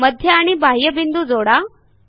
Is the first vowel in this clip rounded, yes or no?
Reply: no